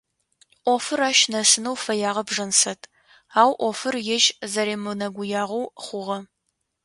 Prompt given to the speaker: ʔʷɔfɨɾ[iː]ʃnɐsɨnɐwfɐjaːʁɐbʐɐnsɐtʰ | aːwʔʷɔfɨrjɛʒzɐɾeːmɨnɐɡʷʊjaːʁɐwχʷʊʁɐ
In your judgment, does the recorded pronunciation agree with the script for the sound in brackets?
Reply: no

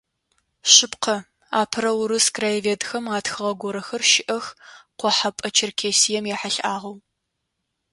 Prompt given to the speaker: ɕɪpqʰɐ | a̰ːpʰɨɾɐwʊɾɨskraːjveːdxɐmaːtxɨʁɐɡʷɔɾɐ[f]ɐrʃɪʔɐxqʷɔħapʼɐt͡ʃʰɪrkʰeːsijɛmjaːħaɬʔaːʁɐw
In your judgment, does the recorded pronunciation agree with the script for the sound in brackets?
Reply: no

